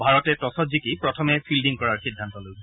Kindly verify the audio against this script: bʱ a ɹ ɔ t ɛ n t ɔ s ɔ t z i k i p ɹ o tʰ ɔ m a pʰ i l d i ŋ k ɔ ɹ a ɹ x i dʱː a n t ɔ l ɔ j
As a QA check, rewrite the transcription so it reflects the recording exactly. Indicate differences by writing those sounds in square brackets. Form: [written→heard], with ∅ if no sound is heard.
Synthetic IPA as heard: bʱ a ɹ ɔ t ɛ [n→∅] t ɔ s ɔ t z i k i p ɹ [o→ɔ] tʰ ɔ m [a→ɛ] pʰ i l d i ŋ k ɔ ɹ a ɹ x i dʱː a n t ɔ l [ɔ→o] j